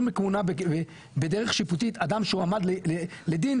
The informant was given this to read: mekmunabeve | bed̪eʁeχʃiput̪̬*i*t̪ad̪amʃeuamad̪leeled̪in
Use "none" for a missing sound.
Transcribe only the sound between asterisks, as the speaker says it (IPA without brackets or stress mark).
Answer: i